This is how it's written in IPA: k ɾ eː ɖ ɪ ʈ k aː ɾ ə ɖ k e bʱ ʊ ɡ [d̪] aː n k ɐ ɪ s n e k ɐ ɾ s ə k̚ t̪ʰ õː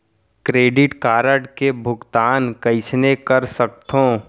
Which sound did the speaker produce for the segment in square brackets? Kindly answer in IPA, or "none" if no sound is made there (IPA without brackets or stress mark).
t̪